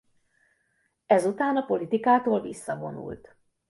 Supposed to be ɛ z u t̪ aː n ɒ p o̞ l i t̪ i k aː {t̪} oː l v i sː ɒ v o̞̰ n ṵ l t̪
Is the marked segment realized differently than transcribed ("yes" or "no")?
no